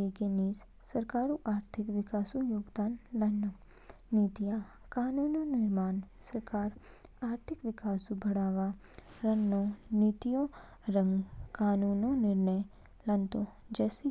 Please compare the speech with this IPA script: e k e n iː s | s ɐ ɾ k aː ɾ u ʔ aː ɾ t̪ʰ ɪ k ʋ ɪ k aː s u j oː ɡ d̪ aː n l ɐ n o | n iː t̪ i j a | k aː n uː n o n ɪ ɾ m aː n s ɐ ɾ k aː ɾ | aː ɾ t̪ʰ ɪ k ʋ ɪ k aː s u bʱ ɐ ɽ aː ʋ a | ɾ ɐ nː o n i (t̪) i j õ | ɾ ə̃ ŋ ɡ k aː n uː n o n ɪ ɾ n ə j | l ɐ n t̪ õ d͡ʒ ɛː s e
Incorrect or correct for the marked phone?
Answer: correct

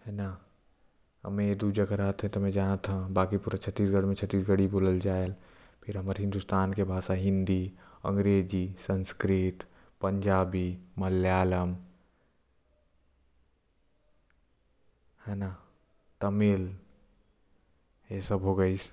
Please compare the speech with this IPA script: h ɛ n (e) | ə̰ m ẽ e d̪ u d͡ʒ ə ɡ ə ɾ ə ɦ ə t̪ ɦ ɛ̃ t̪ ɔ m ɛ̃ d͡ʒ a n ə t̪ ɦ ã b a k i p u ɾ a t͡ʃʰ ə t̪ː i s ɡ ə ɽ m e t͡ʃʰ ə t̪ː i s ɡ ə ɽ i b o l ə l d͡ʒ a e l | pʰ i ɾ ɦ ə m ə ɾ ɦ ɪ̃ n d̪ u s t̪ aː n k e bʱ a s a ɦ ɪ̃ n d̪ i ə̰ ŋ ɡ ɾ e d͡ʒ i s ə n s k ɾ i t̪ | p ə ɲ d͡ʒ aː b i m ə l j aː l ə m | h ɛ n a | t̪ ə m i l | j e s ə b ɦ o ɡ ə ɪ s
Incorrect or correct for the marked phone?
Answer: incorrect: a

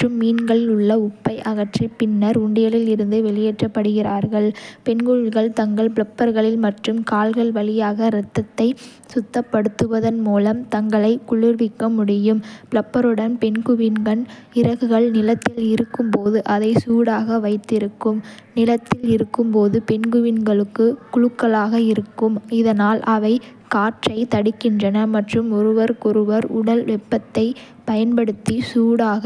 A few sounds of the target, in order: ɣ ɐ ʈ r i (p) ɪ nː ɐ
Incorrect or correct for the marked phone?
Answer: correct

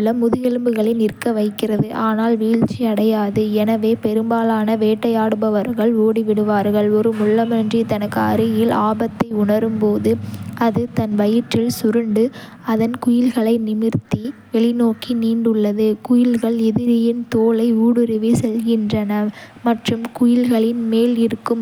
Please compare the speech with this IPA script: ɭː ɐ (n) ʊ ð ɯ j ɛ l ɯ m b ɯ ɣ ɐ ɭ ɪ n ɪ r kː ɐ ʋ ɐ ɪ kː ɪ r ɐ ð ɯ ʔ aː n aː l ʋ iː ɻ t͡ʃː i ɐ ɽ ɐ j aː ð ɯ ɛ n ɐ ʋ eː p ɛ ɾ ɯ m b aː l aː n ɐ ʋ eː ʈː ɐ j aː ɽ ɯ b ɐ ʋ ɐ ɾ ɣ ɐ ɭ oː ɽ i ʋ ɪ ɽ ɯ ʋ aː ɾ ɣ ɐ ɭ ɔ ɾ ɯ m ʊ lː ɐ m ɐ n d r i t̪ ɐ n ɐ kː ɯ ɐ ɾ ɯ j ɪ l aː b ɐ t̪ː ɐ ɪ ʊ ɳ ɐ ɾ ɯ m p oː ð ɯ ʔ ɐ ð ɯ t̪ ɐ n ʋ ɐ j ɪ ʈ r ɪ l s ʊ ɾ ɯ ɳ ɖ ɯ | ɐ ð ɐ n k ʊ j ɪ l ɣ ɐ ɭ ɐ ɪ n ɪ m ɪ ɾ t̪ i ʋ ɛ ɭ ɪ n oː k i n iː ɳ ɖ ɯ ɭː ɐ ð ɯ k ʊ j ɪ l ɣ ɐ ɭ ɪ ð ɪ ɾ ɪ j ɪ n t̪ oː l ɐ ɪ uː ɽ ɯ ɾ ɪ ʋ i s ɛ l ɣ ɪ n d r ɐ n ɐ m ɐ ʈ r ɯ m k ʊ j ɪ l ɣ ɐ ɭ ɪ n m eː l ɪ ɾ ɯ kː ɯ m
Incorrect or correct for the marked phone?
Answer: incorrect: m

